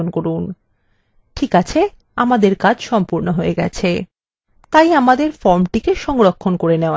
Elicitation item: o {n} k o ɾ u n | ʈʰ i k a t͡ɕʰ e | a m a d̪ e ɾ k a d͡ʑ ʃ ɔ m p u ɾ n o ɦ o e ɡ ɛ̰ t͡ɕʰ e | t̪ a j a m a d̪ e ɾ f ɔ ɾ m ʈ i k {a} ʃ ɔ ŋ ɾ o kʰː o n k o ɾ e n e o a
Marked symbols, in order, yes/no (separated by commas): yes, no